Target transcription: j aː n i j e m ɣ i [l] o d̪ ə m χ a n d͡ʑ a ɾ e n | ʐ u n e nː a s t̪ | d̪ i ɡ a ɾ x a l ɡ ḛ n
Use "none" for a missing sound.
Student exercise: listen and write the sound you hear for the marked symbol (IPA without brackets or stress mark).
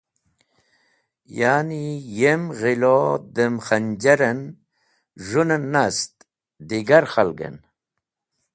l